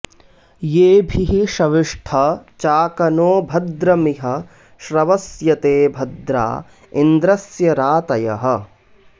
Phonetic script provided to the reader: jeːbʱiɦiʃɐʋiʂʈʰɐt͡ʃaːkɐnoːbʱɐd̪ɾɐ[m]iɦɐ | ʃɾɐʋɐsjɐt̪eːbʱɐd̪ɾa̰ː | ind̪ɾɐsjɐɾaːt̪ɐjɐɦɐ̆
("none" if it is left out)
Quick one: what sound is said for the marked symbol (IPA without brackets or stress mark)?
m